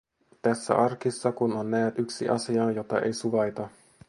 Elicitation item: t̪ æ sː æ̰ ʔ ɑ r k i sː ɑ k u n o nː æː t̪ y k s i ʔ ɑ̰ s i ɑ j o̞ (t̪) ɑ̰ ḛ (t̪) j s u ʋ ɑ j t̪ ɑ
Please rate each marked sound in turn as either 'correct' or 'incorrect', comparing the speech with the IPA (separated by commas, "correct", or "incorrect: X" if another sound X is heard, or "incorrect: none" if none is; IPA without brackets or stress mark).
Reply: correct, incorrect: none